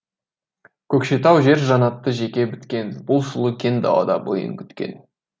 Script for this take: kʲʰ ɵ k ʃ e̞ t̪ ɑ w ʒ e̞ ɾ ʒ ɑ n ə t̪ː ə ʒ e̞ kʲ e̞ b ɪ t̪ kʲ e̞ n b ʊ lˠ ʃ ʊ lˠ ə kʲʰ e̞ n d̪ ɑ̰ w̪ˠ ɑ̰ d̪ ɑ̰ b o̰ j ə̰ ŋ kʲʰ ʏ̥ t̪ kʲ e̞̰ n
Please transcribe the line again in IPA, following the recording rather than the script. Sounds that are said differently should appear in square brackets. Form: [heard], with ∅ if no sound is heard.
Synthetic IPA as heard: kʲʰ ɵ k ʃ e̞ t̪ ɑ w ʒ e̞ ɾ ʒ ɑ n [ɑ] t̪ː ə ʒ e̞ kʲ e̞ b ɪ t̪ kʲ e̞ n b ʊ lˠ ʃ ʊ lˠ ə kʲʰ e̞ n d̪ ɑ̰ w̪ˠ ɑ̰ d̪ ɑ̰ b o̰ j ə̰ ŋ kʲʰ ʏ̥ t̪ kʲ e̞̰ n